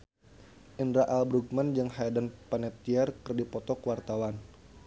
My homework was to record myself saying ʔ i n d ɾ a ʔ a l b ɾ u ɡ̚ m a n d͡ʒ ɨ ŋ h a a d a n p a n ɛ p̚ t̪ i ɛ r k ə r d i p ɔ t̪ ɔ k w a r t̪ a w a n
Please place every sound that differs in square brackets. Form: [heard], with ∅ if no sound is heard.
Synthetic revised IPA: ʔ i n d ɾ a ʔ a l b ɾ u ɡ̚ m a n d͡ʒ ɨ ŋ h a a d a n p a n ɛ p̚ t̪ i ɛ r k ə r d i p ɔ t̪ ɔ k w a r t̪ a w a n